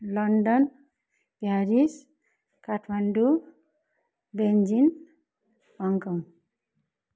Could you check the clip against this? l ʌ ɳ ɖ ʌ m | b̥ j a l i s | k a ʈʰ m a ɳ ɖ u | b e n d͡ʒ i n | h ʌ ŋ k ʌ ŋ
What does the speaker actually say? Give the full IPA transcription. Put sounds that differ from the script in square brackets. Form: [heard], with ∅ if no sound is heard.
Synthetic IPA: l ʌ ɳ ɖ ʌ [n] | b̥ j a [ɾ] i s | k a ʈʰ m a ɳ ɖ u | b e n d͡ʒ i n | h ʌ ŋ k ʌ ŋ